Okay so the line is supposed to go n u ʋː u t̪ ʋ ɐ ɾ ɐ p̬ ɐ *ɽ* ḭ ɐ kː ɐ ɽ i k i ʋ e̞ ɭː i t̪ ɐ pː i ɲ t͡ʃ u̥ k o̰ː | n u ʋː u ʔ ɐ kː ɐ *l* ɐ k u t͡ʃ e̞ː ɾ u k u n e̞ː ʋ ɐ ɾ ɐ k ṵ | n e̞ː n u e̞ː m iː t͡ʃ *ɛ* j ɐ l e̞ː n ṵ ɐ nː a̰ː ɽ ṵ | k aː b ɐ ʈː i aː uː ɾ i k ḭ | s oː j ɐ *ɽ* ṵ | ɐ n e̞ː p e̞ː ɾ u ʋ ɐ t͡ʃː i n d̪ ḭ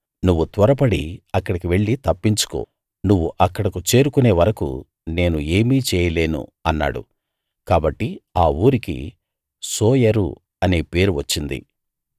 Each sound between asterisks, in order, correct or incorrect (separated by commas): correct, incorrect, incorrect, incorrect